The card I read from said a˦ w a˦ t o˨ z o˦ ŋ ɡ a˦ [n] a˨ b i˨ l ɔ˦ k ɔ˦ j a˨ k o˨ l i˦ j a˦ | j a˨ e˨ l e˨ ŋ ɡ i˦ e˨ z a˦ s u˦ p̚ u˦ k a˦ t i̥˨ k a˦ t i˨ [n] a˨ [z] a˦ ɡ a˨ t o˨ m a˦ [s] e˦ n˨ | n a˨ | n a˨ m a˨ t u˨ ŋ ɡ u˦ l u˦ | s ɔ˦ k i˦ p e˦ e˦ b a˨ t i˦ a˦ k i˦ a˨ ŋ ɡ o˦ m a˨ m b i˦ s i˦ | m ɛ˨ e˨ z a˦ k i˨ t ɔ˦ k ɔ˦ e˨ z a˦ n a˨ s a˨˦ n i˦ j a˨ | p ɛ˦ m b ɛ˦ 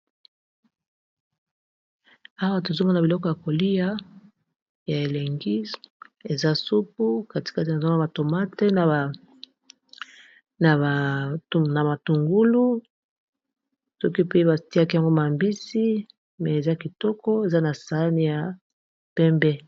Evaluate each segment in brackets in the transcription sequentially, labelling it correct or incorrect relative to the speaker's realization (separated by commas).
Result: correct, correct, correct, incorrect